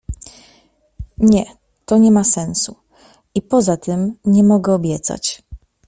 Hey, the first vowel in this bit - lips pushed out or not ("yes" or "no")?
no